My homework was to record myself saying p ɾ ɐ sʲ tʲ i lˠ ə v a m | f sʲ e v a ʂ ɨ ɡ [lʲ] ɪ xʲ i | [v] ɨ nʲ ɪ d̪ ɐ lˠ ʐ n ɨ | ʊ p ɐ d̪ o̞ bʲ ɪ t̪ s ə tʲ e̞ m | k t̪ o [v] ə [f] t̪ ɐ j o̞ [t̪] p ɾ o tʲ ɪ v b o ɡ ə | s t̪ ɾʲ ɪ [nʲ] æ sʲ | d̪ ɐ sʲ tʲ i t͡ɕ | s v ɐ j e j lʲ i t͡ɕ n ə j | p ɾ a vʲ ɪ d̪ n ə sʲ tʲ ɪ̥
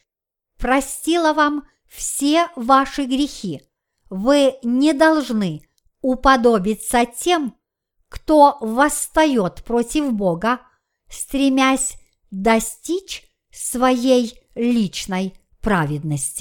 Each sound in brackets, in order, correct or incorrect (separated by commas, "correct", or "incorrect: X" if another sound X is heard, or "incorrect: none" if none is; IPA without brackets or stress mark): incorrect: ɾʲ, correct, correct, incorrect: s, correct, incorrect: mʲ